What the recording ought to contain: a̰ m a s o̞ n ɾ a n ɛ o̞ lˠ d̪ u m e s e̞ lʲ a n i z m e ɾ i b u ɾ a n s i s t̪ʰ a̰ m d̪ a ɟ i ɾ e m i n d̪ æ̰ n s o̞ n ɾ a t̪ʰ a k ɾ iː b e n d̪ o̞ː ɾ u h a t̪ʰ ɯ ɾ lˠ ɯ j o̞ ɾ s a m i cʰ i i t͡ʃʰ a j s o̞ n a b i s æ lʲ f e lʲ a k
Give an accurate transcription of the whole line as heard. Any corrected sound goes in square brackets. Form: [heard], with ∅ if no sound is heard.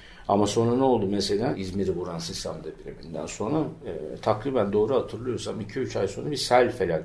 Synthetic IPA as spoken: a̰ m a s o̞ n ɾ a n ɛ o̞ lˠ d̪ u m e s e̞ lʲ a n i z m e ɾ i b u ɾ a n s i s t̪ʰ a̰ m d̪ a [b] i ɾ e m i n d̪ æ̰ n s o̞ n ɾ a t̪ʰ a k ɾ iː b [æ] n d̪ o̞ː ɾ u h a t̪ʰ ɯ ɾ lˠ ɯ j o̞ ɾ s a m i cʰ i [y] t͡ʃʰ a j s o̞ n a b i s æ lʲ f e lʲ a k